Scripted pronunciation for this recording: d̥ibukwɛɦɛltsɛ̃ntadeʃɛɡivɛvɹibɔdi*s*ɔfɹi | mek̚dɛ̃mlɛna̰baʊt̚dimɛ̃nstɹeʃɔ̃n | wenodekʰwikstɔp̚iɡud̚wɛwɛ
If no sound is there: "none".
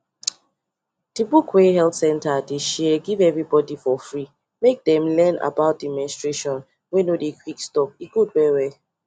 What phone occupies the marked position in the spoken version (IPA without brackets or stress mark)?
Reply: f